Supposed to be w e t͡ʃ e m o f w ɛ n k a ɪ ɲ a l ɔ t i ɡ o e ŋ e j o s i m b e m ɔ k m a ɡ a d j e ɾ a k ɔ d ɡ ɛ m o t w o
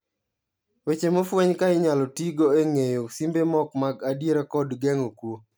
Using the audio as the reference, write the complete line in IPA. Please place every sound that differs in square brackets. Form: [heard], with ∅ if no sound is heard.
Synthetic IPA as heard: w e t͡ʃ e m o f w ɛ [ɲ] k a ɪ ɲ a l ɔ t i ɡ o e ŋ e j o s i m b e m ɔ k m a ɡ a d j e ɾ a k ɔ d ɡ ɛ [ŋ] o [k] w o